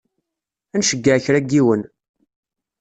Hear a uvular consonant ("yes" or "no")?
no